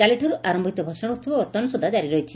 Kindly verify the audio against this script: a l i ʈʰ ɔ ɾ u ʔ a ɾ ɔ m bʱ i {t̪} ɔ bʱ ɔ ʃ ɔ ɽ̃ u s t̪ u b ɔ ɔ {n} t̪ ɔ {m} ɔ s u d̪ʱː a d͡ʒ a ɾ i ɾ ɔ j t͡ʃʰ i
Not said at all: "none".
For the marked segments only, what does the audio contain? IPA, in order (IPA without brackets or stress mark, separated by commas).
t̪, none, n